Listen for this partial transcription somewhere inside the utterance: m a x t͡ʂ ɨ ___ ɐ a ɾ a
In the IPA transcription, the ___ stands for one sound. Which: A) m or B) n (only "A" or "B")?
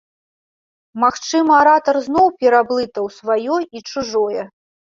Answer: A